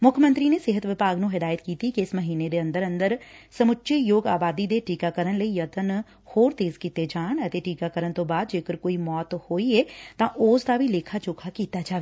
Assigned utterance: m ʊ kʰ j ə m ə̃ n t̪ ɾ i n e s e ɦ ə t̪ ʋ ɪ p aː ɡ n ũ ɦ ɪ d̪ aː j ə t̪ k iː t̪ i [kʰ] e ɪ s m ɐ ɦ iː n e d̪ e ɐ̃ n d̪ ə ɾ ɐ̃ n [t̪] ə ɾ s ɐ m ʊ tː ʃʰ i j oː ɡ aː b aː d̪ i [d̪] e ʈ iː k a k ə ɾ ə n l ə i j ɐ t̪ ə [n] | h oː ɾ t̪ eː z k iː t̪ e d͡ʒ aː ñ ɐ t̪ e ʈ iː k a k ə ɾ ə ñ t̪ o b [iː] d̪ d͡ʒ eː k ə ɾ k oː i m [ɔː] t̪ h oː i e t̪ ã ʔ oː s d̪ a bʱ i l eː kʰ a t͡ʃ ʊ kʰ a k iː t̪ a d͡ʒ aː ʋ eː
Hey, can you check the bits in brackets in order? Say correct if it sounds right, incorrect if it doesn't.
incorrect: k, incorrect: d̪, correct, correct, incorrect: aː, correct

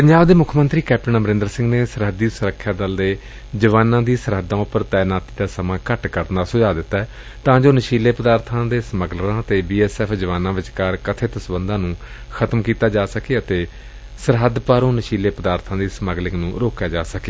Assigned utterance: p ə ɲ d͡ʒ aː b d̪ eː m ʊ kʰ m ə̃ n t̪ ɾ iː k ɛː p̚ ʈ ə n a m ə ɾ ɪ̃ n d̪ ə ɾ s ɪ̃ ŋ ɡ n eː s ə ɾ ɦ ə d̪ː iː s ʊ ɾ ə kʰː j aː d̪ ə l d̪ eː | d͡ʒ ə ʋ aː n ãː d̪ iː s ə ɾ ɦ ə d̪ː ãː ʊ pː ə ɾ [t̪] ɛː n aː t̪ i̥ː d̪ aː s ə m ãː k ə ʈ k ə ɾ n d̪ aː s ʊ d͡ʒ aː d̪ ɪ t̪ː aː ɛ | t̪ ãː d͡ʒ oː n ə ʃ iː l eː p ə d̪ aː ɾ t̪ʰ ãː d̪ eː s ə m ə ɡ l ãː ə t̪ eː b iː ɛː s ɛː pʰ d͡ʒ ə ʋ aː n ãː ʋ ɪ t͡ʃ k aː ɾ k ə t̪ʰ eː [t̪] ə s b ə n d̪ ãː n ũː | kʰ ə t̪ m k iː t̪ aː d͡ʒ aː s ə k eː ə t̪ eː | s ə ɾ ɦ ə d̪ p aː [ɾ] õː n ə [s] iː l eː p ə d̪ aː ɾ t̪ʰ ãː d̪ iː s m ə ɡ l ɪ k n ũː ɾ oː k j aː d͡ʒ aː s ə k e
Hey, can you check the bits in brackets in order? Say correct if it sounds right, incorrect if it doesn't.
correct, correct, correct, incorrect: ʃ

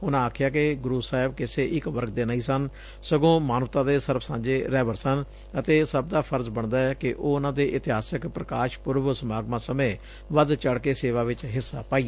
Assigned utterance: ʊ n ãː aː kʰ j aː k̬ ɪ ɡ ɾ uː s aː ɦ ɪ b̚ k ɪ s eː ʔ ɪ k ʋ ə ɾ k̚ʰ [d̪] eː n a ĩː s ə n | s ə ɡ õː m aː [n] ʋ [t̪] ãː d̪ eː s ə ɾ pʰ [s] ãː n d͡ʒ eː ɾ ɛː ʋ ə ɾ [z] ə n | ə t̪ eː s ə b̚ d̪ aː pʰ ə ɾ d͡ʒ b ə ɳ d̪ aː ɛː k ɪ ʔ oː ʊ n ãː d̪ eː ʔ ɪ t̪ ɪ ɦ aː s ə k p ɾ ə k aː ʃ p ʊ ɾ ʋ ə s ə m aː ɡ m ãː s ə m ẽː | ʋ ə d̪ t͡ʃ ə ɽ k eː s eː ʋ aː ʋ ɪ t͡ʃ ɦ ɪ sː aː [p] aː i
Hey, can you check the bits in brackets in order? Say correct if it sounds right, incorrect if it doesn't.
correct, correct, correct, correct, incorrect: s, correct

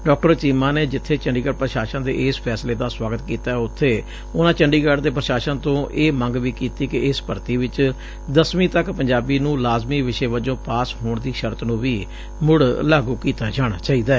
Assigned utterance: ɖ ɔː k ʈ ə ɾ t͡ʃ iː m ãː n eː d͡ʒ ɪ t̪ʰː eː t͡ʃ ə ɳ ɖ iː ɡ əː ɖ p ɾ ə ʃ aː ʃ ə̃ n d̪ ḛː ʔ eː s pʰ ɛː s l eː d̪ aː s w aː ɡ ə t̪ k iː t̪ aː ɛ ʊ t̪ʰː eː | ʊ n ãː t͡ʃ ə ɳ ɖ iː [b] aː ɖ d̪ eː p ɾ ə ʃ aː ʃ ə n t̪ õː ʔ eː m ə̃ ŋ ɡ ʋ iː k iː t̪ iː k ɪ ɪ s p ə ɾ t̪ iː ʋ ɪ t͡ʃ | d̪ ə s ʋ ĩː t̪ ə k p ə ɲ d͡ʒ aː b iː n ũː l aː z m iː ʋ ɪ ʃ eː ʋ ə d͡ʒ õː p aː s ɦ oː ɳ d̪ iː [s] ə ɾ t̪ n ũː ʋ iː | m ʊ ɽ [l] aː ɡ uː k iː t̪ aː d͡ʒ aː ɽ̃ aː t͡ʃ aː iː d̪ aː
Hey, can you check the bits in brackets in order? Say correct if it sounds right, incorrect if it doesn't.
incorrect: ɡ, incorrect: ʃ, correct

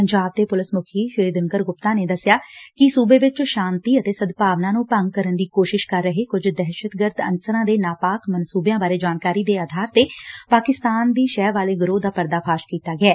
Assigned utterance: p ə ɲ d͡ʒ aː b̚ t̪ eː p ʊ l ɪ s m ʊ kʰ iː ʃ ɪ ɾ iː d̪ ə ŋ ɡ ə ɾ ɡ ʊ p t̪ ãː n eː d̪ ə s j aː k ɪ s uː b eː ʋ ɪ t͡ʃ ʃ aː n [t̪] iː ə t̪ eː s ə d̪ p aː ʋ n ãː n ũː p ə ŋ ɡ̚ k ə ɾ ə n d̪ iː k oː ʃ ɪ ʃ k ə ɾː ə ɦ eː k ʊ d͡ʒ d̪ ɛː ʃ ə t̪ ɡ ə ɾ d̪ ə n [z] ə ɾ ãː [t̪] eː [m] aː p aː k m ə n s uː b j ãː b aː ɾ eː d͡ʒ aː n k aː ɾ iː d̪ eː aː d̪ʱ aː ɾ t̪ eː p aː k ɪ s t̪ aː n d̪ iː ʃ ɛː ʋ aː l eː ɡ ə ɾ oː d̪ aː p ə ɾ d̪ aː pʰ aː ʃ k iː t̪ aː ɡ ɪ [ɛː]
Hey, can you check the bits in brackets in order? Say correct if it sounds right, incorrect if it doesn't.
correct, incorrect: s, incorrect: d̪, incorrect: n, correct

